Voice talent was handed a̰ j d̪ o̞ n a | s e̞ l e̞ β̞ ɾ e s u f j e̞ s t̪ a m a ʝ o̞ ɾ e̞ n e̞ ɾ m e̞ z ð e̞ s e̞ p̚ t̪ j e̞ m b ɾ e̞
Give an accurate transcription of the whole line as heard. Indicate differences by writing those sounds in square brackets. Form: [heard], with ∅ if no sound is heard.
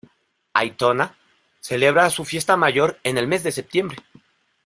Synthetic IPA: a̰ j [t̪] o̞ n a | s e̞ l e̞ β̞ ɾ [a] s u f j e̞ s t̪ a m a ʝ o̞ ɾ e̞ n e̞ [l] m e̞ z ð e̞ s e̞ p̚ t̪ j e̞ m b ɾ e̞